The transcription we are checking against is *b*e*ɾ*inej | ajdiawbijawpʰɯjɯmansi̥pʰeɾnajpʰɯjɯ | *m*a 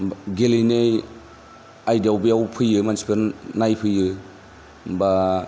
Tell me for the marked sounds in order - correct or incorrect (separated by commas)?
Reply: incorrect, incorrect, incorrect